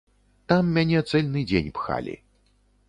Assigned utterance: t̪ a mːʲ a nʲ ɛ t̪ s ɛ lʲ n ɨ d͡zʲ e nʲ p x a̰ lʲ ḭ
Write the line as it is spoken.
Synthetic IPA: t̪ a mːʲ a nʲ ɛ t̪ s ɛ lʲ n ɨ d͡zʲ e nʲ p x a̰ lʲ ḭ